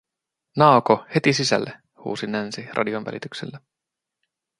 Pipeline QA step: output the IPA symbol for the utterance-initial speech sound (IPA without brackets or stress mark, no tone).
n